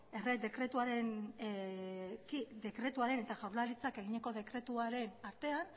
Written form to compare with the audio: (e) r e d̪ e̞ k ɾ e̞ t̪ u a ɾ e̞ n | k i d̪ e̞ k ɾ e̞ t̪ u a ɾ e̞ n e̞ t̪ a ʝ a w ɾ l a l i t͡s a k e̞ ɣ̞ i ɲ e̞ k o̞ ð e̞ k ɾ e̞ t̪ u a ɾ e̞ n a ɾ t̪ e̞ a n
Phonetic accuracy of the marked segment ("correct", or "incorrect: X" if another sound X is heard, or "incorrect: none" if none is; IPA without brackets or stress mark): correct